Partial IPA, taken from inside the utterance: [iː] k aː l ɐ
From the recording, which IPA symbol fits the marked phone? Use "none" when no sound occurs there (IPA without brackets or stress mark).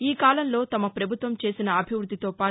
iː